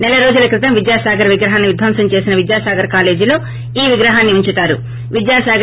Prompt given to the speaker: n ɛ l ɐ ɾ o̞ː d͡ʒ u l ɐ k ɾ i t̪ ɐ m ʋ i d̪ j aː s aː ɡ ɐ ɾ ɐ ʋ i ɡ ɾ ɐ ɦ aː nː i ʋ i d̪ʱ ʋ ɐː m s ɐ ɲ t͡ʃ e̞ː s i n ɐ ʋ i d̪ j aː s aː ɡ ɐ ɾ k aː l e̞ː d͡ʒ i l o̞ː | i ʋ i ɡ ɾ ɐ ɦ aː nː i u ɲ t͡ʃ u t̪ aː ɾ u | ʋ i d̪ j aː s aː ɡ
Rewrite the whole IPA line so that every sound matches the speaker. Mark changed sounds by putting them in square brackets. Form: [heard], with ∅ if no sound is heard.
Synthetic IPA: n ɛ l ɐ ɾ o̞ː d͡ʒ u l ɐ k ɾ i t̪ ɐ m ʋ i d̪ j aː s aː ɡ ɐ ɾ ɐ ʋ i ɡ ɾ ɐ ɦ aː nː i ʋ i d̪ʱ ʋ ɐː m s ɐ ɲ t͡ʃ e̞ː s i n ɐ ʋ i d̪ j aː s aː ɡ ɐ ɾ k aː l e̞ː d͡ʒ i l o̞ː | [iː] ʋ i ɡ ɾ ɐ ɦ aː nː i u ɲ t͡ʃ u t̪ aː ɾ u | ʋ i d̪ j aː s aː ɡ